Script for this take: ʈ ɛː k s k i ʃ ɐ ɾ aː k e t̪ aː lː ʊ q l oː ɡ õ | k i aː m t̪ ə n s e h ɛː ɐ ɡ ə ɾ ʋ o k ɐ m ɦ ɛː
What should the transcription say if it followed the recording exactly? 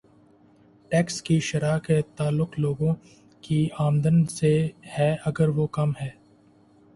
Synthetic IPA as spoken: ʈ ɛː k s k i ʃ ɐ ɾ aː k e t̪ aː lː ʊ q l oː ɡ õ | k i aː m d̪ ə n s e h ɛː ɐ ɡ ə ɾ ʋ o k ɐ m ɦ ɛː

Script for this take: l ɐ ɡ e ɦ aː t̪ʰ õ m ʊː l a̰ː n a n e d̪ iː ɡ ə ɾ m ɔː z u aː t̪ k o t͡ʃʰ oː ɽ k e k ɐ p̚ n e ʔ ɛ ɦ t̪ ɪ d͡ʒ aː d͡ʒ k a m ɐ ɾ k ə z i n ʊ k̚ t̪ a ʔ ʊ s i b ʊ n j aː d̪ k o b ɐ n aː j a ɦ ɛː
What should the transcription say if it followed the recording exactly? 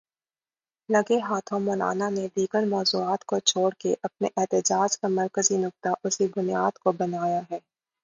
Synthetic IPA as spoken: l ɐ ɡ e ɦ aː t̪ʰ õ m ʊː l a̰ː n a n e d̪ iː ɡ ə ɾ m ɔː z u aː t̪ k o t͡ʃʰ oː ɽ k e ʔ ɐ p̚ n e ʔ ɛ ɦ t̪ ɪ d͡ʒ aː d͡ʒ k a m ɐ ɾ k ə z i n ʊ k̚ t̪ a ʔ ʊ s i b ʊ n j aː d̪ k o b ɐ n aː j a ɦ ɛː

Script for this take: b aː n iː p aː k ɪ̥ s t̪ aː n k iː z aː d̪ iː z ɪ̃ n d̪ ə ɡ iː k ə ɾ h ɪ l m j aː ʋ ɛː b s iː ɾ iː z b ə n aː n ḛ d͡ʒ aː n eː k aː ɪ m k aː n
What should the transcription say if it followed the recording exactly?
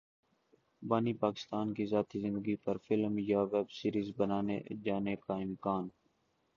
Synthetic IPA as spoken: b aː n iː p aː k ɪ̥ s t̪ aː n k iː z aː t̪ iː z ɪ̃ n d̪ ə ɡ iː p ə ɾ f ɪ l m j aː ʋ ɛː b s iː ɾ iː z b ə n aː n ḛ d͡ʒ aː n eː k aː ɪ m k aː n

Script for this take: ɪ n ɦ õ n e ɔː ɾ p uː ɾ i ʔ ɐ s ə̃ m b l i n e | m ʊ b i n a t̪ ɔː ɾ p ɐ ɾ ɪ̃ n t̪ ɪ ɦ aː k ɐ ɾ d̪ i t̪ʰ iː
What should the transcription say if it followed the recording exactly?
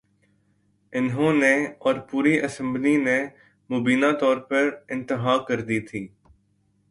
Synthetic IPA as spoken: ɪ n ɦ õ n e ɔː ɾ p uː ɾ i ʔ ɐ s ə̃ m b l i n e | m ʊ b iː n a t̪ ɔː ɾ p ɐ ɾ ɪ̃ n t̪ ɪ ɦ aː k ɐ ɾ d̪ i t̪ʰ iː

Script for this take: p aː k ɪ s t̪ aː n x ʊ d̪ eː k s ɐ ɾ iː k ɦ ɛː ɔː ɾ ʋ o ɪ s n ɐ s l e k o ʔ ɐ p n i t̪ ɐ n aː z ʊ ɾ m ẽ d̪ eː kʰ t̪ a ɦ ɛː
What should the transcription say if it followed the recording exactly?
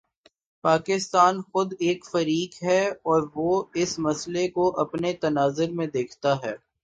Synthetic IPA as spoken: p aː k ɪ s t̪ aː n x ʊ d̪ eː k f ɐ ɾ iː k ɦ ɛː ɔː ɾ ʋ o ɪ s m ɐ s l e k o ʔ ɐ p n e t̪ ɐ n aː z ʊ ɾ m ẽ d̪ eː kʰ t̪ a ɦ ɛː

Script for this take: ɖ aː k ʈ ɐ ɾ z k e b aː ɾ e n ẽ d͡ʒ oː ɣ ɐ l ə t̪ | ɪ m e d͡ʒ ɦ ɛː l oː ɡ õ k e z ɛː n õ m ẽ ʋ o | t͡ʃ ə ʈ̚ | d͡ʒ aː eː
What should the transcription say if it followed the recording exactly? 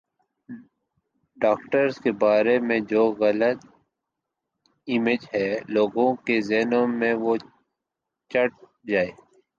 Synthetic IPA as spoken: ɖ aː k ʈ ə ɾ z k e b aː ɾ e m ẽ d͡ʒ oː ɣ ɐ l ə t̪ | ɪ m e d͡ʒ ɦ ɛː l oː ɡ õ k e z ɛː n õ m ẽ ʋ o | t͡ʃ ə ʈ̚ | d͡ʒ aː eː

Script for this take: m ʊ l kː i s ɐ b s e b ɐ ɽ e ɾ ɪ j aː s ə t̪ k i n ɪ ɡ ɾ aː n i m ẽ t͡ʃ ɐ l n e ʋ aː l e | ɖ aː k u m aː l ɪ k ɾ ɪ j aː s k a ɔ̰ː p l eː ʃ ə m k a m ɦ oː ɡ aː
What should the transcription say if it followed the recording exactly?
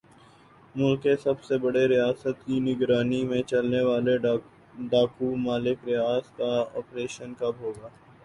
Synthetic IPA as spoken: m ʊ l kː e s ɐ b s e b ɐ ɽ e ɾ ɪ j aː s ə t̪ k i n ɪ ɡ ɾ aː n i m ẽ t͡ʃ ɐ l n e ʋ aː l e | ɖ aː k u m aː l ɪ k ɾ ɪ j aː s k a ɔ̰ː p ɾ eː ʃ ə n k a b ɦ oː ɡ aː

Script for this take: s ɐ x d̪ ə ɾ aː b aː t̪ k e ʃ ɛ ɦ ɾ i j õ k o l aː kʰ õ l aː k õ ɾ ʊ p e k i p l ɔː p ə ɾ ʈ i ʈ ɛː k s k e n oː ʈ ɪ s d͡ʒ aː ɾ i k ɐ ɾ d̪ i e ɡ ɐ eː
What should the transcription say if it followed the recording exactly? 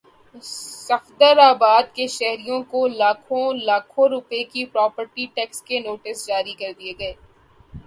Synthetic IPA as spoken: s ɐ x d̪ ə ɾ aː b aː d̪ k e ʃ ɛ ɦ ɾ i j õ k o l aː kʰ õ l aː kʰ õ ɾ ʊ p e k i p ɾ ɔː p ə ɾ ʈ i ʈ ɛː k s k e n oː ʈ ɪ s d͡ʒ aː ɾ i k ɐ ɾ d̪ i e ɡ ɐ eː

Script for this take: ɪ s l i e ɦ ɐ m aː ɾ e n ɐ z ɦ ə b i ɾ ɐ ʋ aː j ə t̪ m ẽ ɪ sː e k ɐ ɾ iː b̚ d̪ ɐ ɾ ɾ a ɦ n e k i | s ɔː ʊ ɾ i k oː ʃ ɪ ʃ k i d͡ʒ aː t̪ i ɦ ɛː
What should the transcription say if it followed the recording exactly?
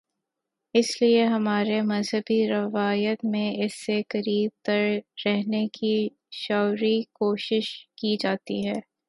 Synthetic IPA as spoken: ɪ s l i e ɦ ɐ m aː ɾ e m ɐ z ɦ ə b i ɾ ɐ ʋ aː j ə t̪ m ẽ ɪ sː e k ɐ ɾ iː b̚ t̪ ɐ ɾ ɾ ɛ ɦ n e k i | ʃ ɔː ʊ ɾ i k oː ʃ ɪ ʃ k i d͡ʒ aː t̪ i ɦ ɛː

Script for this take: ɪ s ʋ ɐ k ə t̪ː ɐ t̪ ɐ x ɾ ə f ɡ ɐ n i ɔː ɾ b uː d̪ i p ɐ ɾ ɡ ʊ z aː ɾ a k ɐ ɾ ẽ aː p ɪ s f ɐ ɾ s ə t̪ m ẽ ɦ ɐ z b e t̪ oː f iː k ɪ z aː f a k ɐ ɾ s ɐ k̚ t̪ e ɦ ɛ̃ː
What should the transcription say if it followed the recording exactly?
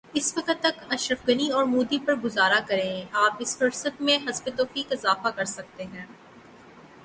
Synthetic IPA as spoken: ɪ s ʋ ɐ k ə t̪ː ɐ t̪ ɐ ʃ ɾ ə f ɡ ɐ n i ɔː ɾ m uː d̪ i p ɐ ɾ ɡ ʊ z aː ɾ a k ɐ ɾ ẽ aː p ɪ s f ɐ ɾ s ə t̪ m ẽ ɦ ɐ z b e t̪ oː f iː k ɪ z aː f a k ɐ ɾ s ɐ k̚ t̪ e ɦ ɛ̃ː

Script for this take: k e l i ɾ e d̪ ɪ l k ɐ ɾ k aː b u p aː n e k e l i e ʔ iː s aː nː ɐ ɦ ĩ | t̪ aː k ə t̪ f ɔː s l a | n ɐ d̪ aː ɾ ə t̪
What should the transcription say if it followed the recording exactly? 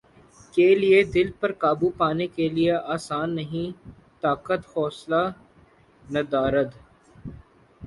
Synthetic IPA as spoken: k e l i e d̪ ɪ l p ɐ ɾ k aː b u p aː n e k e l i e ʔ aː s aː nː ɐ ɦ ĩ | t̪ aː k ə t̪ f ɔː s l a | n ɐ d̪ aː ɾ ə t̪

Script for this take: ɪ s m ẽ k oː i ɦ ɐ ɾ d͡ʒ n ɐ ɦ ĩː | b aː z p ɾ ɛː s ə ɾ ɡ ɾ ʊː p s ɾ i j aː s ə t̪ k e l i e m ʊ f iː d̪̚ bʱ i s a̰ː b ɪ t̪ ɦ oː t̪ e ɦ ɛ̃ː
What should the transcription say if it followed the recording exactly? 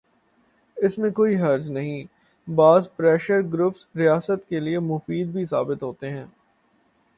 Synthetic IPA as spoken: ɪ s m ẽ k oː i ɦ ɐ ɾ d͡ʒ n ɐ ɦ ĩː | b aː z p ɾ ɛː ʃ ə ɾ ɡ ɾ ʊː p s ɾ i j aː s ə t̪ k e l i e m ʊ f iː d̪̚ bʱ i s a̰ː b ɪ t̪ ɦ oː t̪ e ɦ ɛ̃ː

